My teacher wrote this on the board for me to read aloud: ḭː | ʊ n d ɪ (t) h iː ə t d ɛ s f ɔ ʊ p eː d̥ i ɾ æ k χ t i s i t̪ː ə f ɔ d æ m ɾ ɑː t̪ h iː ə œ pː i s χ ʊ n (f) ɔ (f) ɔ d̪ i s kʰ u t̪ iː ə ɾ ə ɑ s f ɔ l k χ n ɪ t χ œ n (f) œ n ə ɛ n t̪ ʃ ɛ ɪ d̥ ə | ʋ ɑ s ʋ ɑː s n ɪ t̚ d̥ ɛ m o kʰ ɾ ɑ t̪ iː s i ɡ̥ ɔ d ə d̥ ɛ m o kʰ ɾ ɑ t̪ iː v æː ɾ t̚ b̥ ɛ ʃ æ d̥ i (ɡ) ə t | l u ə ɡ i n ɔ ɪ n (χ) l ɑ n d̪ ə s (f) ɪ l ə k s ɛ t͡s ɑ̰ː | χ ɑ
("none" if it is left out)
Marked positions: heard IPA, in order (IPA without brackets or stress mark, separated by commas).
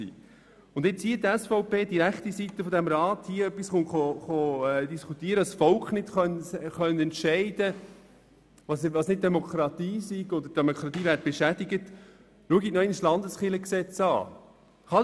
t͡s, χ, χ, χ, ɡ, s, χ